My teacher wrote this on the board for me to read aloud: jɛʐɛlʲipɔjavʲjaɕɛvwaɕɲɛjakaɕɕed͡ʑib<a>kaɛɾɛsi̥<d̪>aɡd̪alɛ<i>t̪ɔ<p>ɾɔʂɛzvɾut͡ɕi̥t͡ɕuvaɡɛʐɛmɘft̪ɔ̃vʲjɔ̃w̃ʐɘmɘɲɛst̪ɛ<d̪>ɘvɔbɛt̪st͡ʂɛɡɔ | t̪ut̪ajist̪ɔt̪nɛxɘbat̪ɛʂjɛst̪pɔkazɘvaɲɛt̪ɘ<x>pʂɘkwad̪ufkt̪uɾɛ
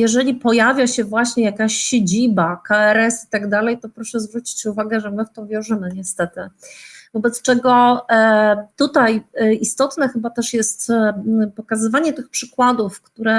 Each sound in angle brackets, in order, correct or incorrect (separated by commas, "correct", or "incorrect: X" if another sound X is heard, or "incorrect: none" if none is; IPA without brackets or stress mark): correct, incorrect: t̪, incorrect: j, correct, incorrect: t̪, correct